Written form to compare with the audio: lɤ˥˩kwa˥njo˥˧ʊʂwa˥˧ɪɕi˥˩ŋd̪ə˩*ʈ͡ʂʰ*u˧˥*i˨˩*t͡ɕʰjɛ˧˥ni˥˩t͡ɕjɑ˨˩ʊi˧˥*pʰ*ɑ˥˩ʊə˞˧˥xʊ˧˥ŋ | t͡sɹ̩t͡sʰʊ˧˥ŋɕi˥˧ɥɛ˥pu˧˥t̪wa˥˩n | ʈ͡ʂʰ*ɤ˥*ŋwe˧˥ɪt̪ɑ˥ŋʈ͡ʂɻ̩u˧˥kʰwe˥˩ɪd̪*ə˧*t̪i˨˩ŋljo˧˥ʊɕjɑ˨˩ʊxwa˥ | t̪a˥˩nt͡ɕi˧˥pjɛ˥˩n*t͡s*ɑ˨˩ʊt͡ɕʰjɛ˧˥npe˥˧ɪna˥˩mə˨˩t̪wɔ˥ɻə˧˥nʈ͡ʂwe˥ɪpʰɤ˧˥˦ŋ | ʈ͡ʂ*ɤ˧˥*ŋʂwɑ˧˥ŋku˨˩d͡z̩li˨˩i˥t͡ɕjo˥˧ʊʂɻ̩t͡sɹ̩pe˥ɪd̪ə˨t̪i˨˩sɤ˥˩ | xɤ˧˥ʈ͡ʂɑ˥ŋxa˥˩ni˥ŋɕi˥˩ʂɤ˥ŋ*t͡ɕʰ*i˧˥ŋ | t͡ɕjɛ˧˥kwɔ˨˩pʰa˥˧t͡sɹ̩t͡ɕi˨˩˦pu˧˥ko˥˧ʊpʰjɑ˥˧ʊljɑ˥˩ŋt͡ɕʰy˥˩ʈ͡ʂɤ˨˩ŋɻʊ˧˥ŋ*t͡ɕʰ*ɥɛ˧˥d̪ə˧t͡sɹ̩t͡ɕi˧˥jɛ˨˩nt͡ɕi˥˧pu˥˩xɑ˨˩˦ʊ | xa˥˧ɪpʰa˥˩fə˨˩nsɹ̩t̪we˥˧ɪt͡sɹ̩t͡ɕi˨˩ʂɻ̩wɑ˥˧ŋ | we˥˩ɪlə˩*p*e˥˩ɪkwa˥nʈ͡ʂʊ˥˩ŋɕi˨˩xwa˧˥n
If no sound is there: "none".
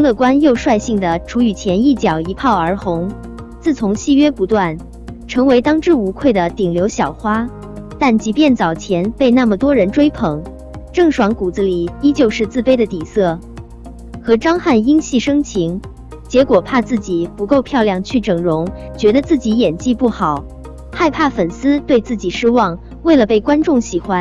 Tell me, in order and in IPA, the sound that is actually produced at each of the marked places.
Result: ʈ͡ʂʰ, y˨˩, pʰ, ɤ˧˥, ə˩, t͡s, ɤ˥˩, t͡ɕʰ, t͡ɕ, p

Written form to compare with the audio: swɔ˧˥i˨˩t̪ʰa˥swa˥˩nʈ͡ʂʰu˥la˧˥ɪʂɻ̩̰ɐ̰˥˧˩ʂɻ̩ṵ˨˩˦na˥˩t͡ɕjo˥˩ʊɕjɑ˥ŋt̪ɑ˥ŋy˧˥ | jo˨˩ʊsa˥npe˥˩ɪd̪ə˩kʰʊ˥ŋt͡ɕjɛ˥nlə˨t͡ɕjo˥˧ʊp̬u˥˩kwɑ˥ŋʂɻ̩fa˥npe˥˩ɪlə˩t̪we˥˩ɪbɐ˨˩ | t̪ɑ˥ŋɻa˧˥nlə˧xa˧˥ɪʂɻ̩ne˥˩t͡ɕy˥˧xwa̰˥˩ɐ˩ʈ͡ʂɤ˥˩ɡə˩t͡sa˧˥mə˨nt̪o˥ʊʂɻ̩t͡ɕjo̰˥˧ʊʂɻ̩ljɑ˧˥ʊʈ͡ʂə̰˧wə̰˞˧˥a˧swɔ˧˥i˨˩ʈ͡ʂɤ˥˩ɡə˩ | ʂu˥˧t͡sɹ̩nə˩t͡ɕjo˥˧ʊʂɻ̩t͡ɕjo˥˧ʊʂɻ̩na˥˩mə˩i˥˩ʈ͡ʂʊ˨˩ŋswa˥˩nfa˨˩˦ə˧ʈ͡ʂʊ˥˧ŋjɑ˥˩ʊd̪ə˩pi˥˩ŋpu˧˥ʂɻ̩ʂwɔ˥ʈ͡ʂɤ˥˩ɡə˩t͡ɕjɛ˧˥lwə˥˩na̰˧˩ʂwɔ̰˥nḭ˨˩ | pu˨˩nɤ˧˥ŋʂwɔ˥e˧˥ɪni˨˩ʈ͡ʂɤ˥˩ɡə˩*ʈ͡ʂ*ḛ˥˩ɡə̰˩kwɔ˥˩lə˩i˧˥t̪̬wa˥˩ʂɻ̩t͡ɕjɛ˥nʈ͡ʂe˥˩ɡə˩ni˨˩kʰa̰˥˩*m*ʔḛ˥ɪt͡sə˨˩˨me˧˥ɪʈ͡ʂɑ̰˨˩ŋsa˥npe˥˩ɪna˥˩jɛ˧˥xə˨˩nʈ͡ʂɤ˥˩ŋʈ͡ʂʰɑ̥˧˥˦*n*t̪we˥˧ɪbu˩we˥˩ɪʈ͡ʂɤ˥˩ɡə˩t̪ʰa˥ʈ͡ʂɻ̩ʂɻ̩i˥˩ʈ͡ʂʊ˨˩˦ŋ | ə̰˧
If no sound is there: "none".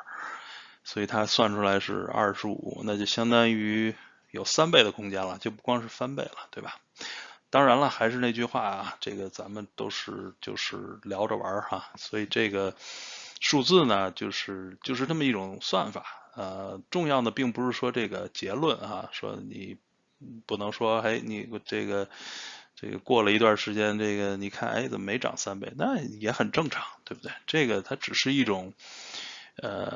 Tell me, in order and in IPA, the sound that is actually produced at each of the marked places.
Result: ʈ͡ʂ, n, ŋ

